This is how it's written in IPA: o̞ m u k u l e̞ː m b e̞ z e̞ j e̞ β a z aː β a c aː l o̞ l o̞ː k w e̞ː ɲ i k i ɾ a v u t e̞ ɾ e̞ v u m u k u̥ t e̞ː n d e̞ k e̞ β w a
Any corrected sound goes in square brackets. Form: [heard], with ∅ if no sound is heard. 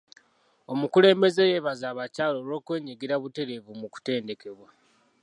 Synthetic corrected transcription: o̞ m u k u l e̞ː m b e̞ z e̞ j e̞ β a z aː β a c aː l o̞ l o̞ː k w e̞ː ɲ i [ɡ] i ɾ a [β] u t e̞ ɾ e̞ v u m u k u̥ t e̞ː n d e̞ k e̞ β w a